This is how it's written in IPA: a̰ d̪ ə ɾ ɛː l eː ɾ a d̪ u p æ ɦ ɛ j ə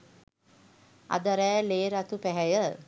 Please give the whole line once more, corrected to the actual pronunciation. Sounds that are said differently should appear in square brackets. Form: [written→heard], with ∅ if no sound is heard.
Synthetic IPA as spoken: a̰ d̪ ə ɾ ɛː l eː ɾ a [d̪→t̪] u p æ ɦ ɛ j ə

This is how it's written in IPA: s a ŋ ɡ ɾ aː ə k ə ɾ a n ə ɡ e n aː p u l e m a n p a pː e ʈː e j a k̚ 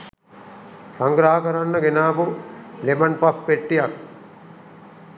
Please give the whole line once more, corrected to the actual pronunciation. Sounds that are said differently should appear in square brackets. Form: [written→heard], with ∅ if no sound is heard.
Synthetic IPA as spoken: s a ŋ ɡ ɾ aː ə k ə ɾ a [n→nː] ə ɡ e n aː p u l e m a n p a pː e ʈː [e→i] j a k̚

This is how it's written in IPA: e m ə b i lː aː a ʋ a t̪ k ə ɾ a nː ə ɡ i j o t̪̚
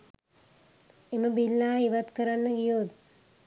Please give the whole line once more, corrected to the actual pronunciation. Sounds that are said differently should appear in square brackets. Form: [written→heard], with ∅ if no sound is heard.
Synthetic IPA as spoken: e m ə b i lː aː [a→i] ʋ a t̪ k ə ɾ a nː ə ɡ i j o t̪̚

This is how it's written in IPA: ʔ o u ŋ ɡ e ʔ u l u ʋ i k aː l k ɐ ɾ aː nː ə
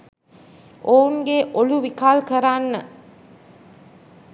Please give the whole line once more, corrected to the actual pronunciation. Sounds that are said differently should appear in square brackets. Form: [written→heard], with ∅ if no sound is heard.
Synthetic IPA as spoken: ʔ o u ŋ ɡ e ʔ [u→o] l u ʋ i k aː l k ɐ ɾ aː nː ə

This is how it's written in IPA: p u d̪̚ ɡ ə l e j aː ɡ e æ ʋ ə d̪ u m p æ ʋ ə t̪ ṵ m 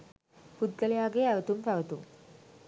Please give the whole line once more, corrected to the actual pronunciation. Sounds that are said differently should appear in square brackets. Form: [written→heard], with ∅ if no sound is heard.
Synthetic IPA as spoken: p u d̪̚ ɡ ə l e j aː ɡ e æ ʋ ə [d̪→t̪] u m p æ ʋ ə t̪ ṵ m

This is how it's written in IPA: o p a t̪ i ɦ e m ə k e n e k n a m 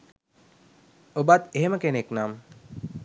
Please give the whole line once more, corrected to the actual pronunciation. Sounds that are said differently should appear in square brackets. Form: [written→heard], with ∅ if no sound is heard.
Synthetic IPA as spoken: o [p→b] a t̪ [i→e] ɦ e m ə k e n e k n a m

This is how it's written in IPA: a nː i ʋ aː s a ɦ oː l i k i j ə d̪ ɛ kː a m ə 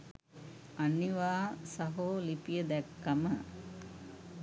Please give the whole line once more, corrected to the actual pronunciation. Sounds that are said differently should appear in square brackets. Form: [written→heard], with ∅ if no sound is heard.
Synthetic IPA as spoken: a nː i ʋ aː s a ɦ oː l i [k→p] i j ə d̪ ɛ kː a m ə

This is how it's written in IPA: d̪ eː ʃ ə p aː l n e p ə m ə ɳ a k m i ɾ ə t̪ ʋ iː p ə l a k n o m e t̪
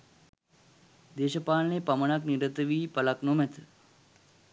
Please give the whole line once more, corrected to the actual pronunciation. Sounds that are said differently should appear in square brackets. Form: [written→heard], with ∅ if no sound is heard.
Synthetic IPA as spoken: d̪ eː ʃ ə p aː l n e p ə m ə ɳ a k [m→n] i ɾ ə t̪ ʋ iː p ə l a k n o m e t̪

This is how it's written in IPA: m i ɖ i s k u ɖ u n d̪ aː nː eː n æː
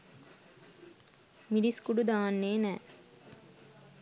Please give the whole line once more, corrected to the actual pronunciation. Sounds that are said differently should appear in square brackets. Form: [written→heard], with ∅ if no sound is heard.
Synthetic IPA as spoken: m i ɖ i s k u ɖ u [n→∅] d̪ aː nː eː n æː

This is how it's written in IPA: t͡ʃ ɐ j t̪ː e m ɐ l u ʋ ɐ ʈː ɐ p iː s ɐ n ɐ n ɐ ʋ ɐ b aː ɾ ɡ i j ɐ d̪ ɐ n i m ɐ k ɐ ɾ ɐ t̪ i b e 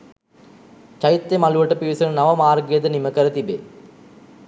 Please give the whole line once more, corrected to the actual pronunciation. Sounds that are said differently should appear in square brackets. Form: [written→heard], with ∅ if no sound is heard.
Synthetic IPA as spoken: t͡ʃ ɐ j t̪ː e m ɐ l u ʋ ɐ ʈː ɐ p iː s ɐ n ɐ n ɐ ʋ ɐ [b→m] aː ɾ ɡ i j ɐ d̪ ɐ n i m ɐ k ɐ ɾ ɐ t̪ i b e

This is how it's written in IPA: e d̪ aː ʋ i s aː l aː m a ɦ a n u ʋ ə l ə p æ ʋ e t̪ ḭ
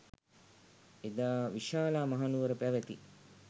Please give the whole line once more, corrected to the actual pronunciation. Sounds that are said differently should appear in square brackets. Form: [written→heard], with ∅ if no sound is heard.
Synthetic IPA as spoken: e d̪ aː ʋ i [s→ʃ] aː l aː m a ɦ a n u ʋ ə [l→ɾ] ə p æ ʋ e t̪ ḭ

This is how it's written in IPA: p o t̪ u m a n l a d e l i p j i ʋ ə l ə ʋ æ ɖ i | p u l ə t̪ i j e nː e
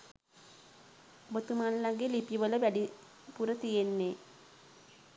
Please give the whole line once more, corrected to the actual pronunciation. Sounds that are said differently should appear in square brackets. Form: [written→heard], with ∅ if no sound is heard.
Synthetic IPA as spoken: [p→b] o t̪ u m a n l a [d→ɡ] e l i p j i ʋ ə l ə ʋ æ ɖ i | p u [l→ɾ] ə t̪ i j e nː e

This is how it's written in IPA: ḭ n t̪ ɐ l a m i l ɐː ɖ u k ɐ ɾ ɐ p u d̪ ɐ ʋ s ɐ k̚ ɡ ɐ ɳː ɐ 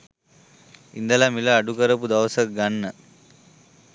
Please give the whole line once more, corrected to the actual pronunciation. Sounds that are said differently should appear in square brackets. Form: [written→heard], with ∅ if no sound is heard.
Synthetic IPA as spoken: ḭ n [t̪→d̪] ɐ l a m i l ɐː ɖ u k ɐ ɾ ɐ p u d̪ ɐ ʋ s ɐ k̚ ɡ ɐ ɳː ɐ

